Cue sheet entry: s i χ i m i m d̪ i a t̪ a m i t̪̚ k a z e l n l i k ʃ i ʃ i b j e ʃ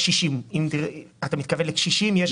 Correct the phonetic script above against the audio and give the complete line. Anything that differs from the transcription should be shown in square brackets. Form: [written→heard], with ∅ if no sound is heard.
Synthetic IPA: [s→ʃ] i [χ→ʃ] i m i m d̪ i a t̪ a m i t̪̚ k a [z→v] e [l→∅] n l [i→e] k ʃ i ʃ i [b→m] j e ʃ